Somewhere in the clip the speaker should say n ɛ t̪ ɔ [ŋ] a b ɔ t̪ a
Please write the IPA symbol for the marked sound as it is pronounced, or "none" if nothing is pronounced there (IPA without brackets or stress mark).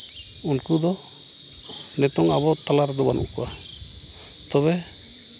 ŋ